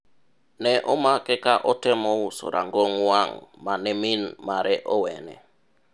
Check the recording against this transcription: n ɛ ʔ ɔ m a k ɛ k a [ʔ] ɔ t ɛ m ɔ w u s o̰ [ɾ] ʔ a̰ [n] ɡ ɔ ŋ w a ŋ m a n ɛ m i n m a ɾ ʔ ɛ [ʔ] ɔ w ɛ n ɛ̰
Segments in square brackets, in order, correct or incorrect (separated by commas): correct, correct, incorrect, correct